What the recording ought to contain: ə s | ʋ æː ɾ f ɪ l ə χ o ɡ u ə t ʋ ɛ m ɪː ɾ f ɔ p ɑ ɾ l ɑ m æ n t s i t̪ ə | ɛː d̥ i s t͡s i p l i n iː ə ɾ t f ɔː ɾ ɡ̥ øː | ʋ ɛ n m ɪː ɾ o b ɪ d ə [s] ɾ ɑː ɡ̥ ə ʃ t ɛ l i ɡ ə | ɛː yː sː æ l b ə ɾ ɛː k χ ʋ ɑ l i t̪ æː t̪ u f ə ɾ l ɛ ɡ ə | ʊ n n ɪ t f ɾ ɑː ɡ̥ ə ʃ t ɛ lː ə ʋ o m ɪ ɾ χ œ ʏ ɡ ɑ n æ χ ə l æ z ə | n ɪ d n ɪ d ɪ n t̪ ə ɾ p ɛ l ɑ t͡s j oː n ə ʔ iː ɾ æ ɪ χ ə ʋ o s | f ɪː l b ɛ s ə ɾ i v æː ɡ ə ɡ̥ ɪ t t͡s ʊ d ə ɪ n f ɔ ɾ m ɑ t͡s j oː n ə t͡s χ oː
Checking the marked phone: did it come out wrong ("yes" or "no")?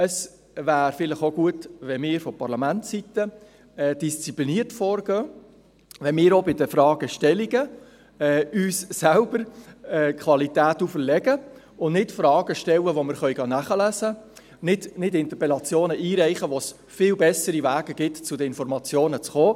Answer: yes